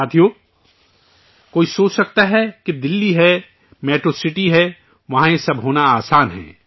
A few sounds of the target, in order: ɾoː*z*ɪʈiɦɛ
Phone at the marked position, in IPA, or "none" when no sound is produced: s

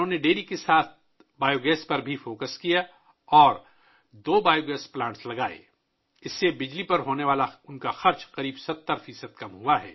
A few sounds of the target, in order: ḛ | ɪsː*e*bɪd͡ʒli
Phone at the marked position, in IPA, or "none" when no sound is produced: e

